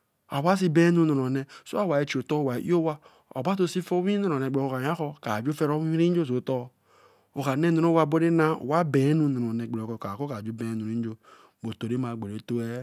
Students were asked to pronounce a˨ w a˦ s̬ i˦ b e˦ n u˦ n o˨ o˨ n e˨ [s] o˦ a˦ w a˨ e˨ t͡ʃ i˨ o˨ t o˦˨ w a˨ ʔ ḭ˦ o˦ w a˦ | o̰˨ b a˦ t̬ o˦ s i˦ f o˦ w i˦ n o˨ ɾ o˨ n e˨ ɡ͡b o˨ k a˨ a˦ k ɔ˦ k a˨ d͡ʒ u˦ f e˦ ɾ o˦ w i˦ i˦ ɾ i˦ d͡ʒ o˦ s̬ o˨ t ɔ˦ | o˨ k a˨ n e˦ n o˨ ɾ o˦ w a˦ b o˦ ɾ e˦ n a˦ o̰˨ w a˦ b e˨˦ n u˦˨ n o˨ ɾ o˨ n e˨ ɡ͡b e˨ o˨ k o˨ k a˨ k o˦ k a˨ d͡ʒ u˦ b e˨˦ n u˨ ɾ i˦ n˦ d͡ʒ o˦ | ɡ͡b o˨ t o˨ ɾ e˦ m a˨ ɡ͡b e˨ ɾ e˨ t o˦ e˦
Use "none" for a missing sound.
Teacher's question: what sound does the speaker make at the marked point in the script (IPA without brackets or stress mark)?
s